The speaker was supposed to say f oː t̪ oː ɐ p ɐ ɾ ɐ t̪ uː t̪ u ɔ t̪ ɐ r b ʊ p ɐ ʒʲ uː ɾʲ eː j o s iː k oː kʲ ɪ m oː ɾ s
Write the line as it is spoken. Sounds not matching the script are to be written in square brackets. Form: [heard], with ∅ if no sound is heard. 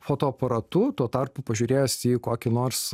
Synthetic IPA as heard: f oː t̪ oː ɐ p ɐ ɾ ɐ t̪ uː t̪ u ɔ t̪ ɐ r [p] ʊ p ɐ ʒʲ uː ɾʲ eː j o s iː k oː kʲ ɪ [n] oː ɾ s